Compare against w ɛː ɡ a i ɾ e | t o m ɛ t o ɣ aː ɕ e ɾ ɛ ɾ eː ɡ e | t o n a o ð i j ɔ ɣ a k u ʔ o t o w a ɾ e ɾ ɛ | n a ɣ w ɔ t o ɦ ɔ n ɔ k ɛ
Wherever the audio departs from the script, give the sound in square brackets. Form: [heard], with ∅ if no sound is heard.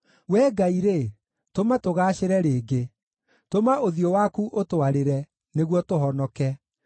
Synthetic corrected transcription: w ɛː ɡ a i ɾ e | t o m [a] t o ɣ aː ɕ e ɾ ɛ ɾ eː ɡ e | t o [m] a o ð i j ɔ [w] a k u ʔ o t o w a ɾ e ɾ ɛ | n [e] ɣ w ɔ t o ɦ ɔ n ɔ k ɛ